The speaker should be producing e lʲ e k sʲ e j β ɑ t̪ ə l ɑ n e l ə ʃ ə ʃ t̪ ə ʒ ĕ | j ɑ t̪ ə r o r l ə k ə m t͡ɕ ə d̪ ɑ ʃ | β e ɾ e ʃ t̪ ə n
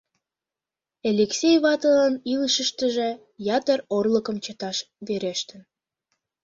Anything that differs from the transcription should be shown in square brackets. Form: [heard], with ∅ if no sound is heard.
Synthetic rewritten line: e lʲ e k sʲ e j β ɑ t̪ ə l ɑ n [i] l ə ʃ ə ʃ t̪ ə ʒ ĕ | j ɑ t̪ ə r o r l ə k ə m t͡ɕ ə [t̪] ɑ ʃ | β e ɾ e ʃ t̪ ə n